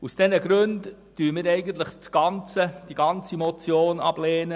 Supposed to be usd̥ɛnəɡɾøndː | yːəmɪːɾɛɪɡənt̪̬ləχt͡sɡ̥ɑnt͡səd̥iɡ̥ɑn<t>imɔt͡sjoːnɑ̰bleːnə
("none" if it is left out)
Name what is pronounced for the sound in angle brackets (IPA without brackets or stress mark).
t͡s